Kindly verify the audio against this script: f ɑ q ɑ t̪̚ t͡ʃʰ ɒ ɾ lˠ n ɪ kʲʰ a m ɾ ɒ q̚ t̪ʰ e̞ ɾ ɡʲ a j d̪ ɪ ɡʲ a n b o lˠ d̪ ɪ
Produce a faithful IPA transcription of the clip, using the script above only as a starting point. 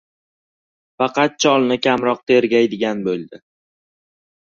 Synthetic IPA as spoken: f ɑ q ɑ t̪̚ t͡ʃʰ ɒ lˠ n ɪ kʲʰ a m ɾ ɒ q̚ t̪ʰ e̞ ɾ ɡʲ a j d̪ ɪ ɡʲ a n b o lˠ d̪ ɪ